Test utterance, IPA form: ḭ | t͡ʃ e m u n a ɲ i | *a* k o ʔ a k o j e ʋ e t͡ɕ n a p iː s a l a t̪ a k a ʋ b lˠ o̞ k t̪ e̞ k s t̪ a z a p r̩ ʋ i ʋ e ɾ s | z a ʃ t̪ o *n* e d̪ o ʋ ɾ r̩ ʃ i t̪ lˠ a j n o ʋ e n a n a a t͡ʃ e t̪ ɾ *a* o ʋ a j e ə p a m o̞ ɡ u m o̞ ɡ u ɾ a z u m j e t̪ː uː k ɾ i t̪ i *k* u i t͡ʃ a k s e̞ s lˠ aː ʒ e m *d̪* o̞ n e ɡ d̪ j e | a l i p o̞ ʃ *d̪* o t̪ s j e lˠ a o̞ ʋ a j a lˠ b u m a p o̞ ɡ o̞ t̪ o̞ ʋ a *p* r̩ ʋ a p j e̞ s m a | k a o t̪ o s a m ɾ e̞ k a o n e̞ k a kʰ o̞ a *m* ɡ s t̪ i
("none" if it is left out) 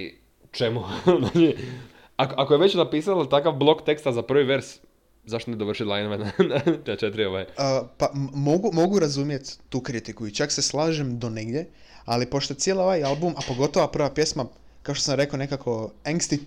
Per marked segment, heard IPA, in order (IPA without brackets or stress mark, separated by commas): a, n, i, k, d̪, t̪, p, ŋ